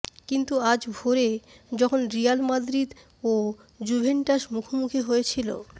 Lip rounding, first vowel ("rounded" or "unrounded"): unrounded